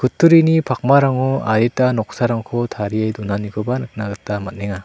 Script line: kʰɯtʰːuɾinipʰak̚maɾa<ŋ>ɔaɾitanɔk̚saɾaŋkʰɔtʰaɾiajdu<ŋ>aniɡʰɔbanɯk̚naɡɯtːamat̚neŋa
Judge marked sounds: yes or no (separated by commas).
yes, no